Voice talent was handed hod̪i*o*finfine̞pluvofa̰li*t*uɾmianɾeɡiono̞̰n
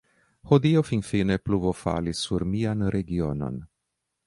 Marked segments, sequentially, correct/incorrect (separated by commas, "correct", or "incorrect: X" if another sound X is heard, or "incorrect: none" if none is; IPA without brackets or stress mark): correct, incorrect: s